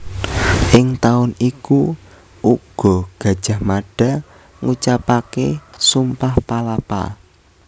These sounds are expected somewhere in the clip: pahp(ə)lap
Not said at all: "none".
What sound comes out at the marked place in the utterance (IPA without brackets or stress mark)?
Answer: a